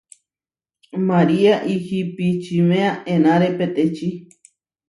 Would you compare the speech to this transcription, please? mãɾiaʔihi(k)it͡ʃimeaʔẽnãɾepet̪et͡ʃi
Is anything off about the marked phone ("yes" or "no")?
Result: yes